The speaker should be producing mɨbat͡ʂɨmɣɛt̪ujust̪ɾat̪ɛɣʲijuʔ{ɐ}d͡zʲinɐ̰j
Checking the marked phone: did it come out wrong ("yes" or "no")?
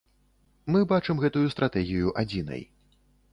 yes